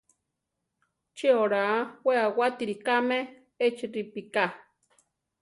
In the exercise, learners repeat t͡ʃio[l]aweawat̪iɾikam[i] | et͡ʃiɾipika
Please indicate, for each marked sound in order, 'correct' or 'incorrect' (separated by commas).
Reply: incorrect, incorrect